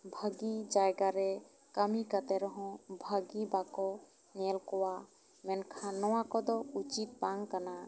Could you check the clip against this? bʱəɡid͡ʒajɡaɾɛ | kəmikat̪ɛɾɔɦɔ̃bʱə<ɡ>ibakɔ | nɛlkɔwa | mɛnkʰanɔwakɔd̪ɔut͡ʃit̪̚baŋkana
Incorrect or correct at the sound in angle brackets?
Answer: correct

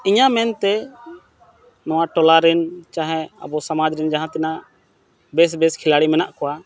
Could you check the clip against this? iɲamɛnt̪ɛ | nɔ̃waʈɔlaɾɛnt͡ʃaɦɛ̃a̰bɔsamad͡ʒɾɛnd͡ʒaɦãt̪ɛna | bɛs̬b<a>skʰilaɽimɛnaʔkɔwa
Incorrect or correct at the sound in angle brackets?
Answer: incorrect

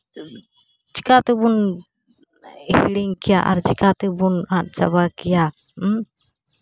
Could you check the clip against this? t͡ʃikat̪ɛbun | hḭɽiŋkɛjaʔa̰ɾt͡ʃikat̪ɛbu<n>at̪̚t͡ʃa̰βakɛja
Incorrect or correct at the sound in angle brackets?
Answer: correct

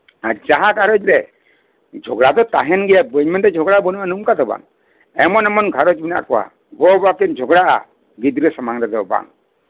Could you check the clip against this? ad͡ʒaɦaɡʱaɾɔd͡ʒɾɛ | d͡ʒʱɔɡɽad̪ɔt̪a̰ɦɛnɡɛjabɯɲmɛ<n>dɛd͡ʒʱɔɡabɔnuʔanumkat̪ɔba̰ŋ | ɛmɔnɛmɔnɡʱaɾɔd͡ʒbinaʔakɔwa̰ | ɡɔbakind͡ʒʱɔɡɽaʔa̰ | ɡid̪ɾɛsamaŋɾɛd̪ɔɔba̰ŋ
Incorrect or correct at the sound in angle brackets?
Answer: correct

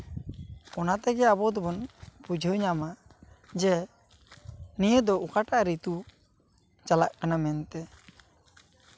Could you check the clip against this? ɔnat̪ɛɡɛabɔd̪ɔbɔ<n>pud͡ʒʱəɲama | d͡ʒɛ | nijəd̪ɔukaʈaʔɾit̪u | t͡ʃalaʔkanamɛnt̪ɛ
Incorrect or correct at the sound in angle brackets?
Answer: correct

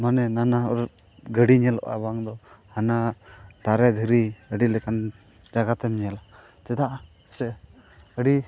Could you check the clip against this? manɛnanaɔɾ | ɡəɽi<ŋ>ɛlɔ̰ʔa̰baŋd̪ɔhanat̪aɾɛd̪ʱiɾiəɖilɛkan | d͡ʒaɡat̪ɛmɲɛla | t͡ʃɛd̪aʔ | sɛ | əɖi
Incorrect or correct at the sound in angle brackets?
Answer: incorrect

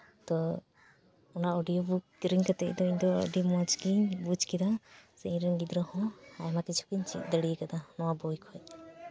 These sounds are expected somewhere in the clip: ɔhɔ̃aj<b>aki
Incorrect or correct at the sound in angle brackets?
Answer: incorrect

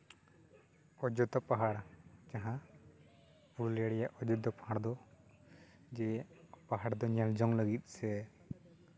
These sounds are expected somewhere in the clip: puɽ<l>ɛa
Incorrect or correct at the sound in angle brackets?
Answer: correct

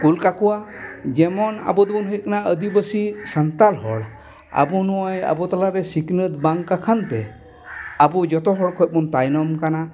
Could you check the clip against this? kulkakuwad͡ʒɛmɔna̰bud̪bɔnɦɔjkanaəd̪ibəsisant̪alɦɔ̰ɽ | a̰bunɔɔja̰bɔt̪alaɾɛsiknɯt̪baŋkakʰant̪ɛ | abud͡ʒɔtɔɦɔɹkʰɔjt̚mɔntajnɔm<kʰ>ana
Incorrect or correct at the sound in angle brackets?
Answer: incorrect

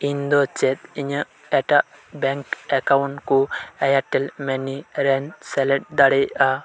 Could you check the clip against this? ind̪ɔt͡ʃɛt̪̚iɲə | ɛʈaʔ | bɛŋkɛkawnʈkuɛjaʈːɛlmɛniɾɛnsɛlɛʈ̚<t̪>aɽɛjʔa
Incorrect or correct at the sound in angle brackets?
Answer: incorrect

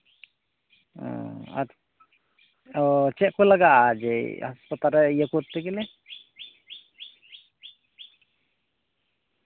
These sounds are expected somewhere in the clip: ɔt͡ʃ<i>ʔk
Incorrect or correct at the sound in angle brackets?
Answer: incorrect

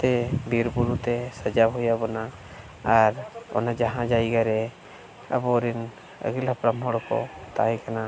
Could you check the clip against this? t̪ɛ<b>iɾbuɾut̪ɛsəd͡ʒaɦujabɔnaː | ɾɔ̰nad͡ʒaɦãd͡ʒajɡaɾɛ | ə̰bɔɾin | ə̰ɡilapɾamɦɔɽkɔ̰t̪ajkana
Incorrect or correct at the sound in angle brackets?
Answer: correct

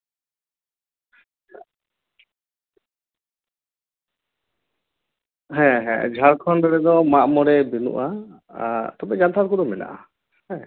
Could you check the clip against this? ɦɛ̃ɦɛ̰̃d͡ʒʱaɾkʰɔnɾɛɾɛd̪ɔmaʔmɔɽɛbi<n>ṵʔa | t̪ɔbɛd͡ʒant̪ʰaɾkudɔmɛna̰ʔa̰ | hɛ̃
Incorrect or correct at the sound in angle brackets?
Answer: correct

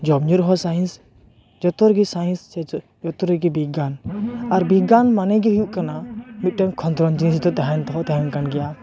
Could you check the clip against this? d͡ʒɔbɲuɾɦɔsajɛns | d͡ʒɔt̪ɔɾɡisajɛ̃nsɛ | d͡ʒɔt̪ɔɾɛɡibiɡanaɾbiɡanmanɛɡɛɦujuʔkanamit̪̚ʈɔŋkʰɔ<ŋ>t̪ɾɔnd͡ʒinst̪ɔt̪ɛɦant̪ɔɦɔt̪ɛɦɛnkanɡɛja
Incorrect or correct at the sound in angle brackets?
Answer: incorrect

